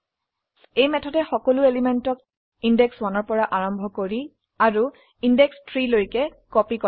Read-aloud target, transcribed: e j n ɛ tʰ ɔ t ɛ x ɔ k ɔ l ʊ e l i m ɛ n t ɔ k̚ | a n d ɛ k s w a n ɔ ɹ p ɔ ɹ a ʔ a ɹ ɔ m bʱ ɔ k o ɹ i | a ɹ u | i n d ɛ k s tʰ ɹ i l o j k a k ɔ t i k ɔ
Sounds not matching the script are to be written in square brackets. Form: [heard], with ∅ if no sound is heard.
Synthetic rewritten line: e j [m] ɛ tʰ ɔ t ɛ x ɔ k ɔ l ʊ e l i m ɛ n t ɔ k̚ | [i] n d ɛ k s w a n ɔ ɹ p ɔ ɹ a ʔ a ɹ ɔ m bʱ ɔ k o ɹ i | a ɹ u | i n d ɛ k s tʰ ɹ i l o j k [ɛ] k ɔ [p] i k ɔ

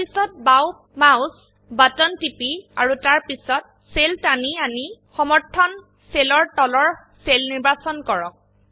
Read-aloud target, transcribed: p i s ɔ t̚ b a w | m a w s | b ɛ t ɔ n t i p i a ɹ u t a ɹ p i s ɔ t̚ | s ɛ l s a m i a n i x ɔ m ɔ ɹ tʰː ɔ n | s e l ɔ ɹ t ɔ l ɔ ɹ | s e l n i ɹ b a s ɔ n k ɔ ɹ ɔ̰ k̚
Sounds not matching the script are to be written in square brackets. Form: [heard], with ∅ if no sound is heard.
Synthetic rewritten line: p i s ɔ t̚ b a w | m a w s | b [a] t ɔ n t i p i a ɹ u t a ɹ p i s ɔ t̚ | s [e] l [t] a [n] i a n i x ɔ m ɔ ɹ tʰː ɔ n | s e l ɔ ɹ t ɔ l ɔ ɹ | s e l n i ɹ b a s ɔ n k ɔ ɹ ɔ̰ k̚

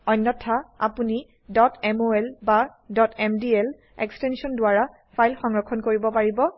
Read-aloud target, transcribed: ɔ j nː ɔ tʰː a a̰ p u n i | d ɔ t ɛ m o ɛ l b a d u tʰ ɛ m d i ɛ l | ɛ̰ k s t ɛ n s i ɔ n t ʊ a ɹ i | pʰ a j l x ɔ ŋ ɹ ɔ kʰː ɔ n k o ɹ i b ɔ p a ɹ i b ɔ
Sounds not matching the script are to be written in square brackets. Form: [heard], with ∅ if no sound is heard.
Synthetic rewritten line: ɔ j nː ɔ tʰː a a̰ p u n i | d ɔ t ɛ m o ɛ l b a d [ɔ] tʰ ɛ m d i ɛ l | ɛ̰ k s t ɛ n s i ɔ n [d] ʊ a ɹ [a] | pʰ a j l x ɔ ŋ ɹ ɔ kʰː ɔ n k o ɹ i b ɔ p a ɹ i b ɔ

